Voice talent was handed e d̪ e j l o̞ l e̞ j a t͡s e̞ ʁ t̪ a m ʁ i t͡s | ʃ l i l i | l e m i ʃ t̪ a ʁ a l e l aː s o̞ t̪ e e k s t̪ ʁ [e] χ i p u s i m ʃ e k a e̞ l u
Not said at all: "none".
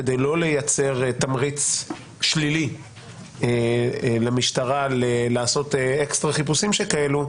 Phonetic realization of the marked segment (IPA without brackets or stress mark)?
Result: a